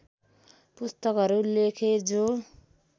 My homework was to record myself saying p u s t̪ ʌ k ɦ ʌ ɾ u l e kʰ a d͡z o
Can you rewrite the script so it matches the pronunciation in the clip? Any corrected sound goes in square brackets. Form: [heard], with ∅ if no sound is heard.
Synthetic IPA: p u s t̪ ʌ k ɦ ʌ ɾ u l e kʰ [e] d͡z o